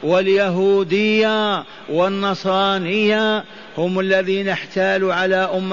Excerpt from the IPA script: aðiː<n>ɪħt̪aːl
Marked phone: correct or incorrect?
correct